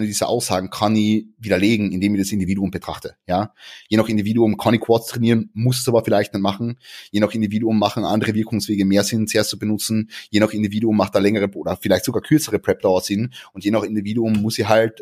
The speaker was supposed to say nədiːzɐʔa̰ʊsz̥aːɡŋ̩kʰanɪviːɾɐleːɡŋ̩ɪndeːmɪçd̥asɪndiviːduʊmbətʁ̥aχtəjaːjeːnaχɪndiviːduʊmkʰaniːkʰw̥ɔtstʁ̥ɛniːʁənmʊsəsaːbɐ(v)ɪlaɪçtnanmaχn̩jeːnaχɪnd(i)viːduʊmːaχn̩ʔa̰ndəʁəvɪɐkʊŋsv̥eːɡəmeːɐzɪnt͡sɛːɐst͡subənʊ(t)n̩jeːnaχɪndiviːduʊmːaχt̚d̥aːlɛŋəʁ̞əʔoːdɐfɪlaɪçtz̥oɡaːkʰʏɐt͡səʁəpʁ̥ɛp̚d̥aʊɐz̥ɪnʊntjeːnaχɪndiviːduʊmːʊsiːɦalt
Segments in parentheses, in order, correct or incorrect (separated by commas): incorrect, correct, incorrect